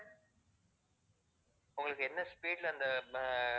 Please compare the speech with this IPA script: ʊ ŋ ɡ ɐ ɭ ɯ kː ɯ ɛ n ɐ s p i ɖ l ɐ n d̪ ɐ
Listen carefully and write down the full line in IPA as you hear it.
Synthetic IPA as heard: ʊ ŋ ɡ ɐ ɭ ɯ kː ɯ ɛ nː ɐ s p iː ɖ l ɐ n d̪ ɐ